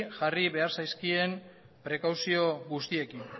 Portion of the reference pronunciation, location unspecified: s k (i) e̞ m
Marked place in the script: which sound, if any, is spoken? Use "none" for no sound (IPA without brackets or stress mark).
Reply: i